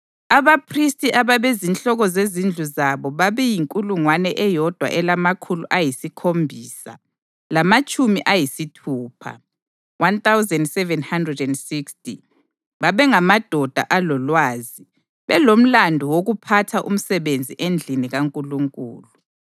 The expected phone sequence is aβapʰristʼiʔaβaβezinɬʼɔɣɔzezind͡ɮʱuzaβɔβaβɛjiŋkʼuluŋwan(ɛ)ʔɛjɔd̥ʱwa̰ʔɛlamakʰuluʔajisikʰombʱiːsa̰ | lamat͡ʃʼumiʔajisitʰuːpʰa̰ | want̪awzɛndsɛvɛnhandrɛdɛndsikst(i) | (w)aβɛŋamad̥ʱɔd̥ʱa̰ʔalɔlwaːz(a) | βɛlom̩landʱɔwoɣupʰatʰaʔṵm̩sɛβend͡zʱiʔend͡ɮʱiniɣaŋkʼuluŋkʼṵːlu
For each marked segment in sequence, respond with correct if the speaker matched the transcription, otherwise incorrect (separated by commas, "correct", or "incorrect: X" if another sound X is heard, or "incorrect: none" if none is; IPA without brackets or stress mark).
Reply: correct, correct, incorrect: β, incorrect: i